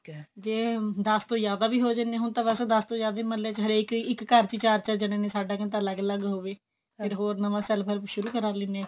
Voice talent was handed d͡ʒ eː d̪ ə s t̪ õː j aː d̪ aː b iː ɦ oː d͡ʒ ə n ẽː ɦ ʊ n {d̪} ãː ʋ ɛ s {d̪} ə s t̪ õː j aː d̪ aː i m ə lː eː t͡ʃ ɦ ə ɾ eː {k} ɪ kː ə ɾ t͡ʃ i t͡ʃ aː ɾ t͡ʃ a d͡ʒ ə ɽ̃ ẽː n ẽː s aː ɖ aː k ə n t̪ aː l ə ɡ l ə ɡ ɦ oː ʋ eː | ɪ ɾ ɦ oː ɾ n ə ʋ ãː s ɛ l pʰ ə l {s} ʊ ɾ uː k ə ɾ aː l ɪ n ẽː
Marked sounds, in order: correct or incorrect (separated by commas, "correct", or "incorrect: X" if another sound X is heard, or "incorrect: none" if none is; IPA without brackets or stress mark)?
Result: incorrect: t̪, correct, correct, incorrect: ʃ